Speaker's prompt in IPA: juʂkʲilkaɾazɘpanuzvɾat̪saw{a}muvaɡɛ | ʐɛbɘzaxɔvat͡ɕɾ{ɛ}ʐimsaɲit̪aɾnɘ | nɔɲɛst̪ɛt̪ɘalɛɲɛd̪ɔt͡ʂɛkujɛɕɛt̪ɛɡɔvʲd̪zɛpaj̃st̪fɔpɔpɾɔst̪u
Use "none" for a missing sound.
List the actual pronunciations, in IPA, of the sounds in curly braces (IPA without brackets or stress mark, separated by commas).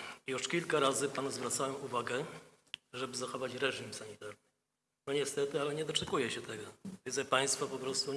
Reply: ɛ, ɛ